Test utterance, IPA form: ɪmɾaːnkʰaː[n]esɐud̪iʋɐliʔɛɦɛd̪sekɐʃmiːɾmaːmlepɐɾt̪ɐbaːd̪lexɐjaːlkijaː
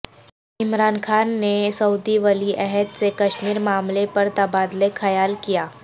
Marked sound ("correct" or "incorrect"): incorrect